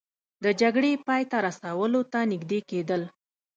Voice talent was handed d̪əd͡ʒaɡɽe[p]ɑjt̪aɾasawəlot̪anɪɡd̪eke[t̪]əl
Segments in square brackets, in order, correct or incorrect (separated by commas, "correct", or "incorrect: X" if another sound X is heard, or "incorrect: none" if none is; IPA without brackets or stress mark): correct, incorrect: d̪